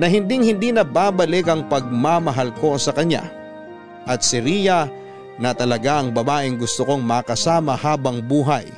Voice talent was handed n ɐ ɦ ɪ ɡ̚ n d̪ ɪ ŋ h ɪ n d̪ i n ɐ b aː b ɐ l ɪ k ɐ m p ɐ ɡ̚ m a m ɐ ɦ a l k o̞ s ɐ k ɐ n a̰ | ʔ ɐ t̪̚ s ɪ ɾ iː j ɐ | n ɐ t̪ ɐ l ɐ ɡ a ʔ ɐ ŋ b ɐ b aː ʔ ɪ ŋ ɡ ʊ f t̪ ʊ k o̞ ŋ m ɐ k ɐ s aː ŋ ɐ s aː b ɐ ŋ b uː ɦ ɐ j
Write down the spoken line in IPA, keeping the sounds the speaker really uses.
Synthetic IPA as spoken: n ɐ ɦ ɪ n d̪ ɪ ŋ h ɪ n d̪ i n ɐ b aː b ɐ l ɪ k ɐ ŋ p ɐ ɡ̚ m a m ɐ ɦ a l k o̞ s ɐ k ɐ ɲ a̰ | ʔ ɐ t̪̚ s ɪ ɾ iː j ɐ | n ɐ t̪ ɐ l ɐ ɡ a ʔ ɐ ŋ b ɐ b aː ʔ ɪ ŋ ɡ ʊ s t̪ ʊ k o̞ ŋ m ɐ k ɐ s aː m ɐ h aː b ɐ ŋ b uː ɦ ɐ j